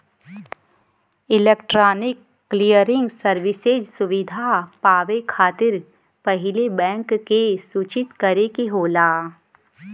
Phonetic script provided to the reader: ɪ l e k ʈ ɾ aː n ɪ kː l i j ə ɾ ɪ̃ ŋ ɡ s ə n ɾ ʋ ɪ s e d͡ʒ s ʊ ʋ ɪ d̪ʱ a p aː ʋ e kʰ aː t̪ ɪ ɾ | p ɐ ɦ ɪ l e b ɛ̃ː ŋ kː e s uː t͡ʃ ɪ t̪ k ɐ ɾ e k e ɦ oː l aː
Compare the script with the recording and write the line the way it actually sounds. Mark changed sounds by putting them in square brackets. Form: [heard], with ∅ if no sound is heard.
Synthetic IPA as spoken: ɪ l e k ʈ ɾ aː n ɪ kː l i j ə ɾ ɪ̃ ŋ ɡ s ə [∅] ɾ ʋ ɪ s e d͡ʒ s ʊ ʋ ɪ d̪ʱ a p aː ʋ e kʰ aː t̪ ɪ ɾ | p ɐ ɦ ɪ l e b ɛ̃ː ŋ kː e s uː t͡ʃ ɪ t̪ k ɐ ɾ e k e ɦ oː l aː